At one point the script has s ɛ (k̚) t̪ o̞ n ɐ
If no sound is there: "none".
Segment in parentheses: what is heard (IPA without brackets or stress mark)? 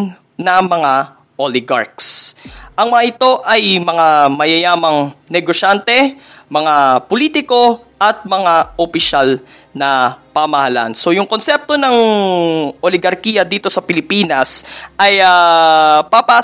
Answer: p̚